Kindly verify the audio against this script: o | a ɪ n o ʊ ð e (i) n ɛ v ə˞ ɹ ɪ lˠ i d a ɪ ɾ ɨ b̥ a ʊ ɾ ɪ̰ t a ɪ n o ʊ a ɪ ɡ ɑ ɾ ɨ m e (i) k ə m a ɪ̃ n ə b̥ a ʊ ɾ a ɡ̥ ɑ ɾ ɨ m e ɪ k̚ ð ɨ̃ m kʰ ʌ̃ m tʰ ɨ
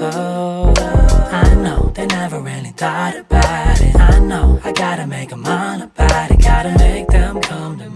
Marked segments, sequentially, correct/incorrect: incorrect, incorrect

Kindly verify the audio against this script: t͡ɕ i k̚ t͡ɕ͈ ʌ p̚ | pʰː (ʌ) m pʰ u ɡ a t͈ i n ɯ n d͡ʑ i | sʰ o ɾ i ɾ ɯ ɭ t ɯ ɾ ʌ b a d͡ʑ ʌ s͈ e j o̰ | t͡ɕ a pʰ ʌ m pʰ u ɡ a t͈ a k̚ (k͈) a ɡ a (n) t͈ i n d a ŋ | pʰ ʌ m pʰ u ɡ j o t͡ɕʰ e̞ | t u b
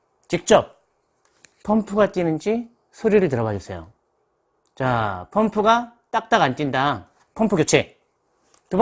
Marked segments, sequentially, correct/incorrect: correct, incorrect, correct

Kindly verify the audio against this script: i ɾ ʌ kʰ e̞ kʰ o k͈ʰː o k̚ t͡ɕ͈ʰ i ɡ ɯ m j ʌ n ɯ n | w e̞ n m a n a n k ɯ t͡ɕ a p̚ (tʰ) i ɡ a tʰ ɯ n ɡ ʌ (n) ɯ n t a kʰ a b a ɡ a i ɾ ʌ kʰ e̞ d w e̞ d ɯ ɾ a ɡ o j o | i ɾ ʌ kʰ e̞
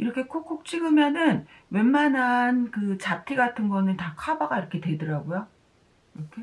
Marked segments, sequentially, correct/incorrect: correct, correct

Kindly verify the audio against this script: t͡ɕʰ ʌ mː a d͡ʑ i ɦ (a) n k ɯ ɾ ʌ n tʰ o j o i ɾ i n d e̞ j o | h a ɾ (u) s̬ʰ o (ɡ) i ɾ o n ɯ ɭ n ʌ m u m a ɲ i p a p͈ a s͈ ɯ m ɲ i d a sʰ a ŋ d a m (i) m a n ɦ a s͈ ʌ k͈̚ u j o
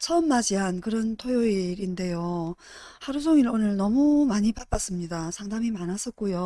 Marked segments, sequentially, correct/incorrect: correct, correct, incorrect, correct

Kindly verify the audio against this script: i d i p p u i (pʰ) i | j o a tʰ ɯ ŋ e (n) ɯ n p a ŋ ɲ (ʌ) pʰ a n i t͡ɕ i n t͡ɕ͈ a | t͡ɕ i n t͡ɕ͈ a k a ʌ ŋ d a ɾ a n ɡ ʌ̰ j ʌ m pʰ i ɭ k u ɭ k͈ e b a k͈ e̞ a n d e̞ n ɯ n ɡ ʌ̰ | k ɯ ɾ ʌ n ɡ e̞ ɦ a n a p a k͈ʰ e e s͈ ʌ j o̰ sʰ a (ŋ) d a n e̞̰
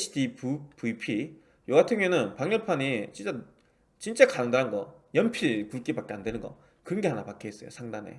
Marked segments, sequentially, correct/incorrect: correct, correct, correct, correct

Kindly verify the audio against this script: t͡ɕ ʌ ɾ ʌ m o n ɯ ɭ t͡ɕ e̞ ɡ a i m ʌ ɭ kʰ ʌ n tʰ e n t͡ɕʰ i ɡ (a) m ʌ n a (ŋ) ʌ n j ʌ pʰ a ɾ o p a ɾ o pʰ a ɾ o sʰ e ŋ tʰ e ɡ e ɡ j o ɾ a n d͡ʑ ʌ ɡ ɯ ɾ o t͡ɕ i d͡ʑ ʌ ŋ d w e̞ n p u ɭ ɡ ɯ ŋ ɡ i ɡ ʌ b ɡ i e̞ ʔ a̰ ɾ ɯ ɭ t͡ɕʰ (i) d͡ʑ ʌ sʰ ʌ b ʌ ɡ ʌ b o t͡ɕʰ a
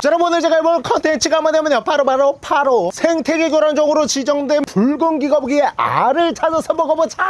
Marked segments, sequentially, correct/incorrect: correct, incorrect, incorrect

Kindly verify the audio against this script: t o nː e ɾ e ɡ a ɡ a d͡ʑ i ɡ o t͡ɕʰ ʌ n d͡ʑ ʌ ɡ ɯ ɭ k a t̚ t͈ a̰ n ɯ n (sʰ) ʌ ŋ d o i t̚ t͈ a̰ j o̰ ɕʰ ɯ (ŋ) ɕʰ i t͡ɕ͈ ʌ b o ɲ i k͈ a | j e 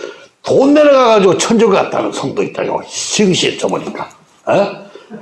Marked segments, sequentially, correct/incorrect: correct, correct

